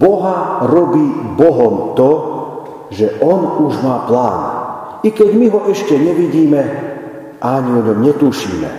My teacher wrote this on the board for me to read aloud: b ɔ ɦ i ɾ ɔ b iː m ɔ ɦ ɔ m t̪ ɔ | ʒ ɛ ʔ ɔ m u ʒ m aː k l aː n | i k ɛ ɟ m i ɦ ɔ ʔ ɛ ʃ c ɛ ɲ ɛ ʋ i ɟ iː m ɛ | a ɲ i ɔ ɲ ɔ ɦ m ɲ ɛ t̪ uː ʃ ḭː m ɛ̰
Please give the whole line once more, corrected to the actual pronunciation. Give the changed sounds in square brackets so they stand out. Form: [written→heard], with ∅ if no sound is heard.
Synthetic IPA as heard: b ɔ ɦ [i→a] ɾ ɔ b iː [m→b] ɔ ɦ ɔ m t̪ ɔ | ʒ ɛ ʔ ɔ [m→n] u ʒ m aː [k→p] l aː n | i k ɛ ɟ m i ɦ ɔ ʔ ɛ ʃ c ɛ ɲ ɛ ʋ i ɟ iː m ɛ | a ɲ i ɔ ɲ ɔ [ɦ→∅] m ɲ ɛ t̪ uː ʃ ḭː m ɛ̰